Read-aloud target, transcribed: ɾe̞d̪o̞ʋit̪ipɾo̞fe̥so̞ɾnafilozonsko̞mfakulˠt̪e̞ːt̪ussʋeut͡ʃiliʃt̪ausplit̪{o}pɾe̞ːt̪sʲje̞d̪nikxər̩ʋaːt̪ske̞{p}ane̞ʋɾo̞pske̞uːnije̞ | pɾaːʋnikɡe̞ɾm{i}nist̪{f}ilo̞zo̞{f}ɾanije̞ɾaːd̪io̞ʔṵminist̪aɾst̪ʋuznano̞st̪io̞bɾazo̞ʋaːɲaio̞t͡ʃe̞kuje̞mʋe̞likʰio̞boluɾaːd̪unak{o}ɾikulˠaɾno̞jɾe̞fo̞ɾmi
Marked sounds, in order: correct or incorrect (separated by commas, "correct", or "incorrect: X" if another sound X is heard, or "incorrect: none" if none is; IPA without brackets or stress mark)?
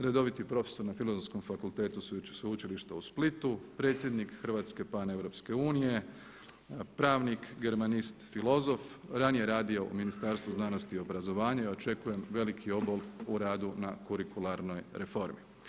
incorrect: u, correct, incorrect: a, correct, correct, incorrect: u